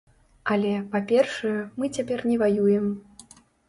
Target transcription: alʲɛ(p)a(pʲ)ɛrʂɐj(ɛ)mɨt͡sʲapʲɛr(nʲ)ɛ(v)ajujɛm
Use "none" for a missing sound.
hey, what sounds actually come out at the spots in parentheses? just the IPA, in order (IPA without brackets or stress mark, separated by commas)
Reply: p, pʲ, ɛ, nʲ, v